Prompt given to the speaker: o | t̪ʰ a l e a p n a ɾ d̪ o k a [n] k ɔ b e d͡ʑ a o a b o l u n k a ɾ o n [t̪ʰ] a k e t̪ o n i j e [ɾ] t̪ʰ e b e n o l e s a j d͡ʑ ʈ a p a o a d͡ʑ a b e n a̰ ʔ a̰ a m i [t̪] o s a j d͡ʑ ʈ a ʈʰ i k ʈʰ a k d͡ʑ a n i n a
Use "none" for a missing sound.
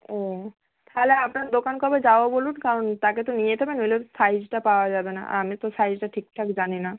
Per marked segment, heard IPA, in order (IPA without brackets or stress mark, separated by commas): n, t̪, none, t̪